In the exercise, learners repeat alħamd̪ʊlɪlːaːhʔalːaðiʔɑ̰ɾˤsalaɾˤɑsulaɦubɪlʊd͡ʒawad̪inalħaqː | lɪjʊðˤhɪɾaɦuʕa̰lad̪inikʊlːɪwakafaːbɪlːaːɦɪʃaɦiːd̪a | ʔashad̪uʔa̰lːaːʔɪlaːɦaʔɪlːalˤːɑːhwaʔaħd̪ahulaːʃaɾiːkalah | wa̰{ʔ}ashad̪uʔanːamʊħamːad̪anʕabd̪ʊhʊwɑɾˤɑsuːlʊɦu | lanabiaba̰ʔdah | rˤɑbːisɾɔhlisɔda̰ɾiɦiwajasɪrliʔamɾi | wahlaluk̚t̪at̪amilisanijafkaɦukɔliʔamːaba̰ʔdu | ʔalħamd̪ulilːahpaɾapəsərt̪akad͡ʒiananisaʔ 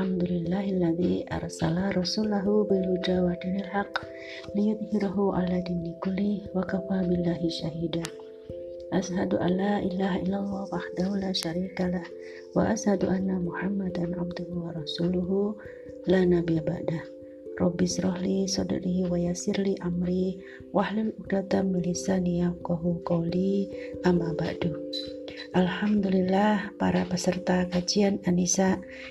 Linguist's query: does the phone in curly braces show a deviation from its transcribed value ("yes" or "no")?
no